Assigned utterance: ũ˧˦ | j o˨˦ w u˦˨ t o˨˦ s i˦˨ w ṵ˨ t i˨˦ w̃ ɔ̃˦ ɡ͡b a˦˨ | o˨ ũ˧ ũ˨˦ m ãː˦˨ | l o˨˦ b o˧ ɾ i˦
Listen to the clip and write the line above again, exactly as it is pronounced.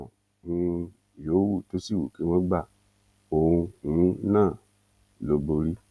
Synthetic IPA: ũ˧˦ | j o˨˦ w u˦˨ t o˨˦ s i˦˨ w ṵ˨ k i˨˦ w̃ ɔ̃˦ ɡ͡b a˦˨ | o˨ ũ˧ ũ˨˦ n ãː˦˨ | l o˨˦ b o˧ ɾ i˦

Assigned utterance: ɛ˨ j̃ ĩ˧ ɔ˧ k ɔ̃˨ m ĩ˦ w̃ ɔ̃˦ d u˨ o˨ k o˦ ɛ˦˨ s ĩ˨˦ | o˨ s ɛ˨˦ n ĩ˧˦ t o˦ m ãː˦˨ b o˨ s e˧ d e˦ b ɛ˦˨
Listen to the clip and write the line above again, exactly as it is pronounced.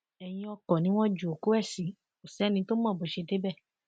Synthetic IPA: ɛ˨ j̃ ĩ˧ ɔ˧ k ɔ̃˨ n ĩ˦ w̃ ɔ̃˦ d͡ʒ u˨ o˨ k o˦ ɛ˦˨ s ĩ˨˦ | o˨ s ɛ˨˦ n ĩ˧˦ t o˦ m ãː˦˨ b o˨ ʃ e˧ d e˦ b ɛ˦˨

